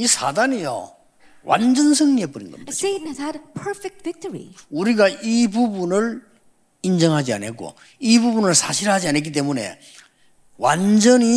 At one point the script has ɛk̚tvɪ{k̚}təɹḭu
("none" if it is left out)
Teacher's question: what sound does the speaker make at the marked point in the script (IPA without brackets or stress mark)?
k̚